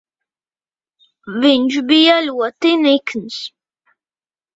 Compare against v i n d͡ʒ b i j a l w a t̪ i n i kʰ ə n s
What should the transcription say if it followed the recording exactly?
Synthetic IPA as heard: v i n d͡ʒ b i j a l w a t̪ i n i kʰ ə n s